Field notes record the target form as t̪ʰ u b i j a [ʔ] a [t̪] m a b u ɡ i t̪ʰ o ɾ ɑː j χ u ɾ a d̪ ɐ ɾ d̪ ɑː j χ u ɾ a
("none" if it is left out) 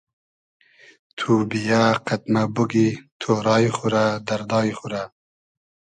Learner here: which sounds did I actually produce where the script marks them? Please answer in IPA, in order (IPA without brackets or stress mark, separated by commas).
q, t̪